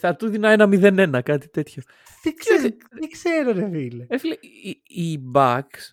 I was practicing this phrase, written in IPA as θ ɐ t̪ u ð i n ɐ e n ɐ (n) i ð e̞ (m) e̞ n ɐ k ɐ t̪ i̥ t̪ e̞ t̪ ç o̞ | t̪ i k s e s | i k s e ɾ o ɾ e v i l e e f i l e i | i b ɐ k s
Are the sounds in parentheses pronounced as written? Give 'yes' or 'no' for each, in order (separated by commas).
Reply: no, no